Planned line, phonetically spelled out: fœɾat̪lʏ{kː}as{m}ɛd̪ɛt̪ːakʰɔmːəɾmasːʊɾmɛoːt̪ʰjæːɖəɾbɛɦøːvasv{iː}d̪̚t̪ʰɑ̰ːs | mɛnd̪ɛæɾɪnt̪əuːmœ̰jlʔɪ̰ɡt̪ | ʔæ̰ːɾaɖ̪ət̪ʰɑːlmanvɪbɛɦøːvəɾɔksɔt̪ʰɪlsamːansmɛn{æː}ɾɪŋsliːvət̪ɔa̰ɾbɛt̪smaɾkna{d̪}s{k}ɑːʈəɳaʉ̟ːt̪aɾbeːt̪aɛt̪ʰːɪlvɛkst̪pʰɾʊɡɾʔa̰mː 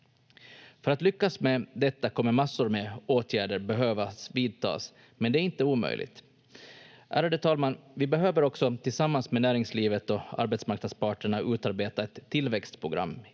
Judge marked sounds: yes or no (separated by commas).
yes, yes, yes, yes, yes, no